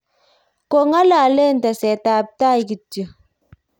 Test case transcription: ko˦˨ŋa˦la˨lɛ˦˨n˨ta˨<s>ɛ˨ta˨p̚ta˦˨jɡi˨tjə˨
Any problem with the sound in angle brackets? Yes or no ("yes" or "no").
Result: no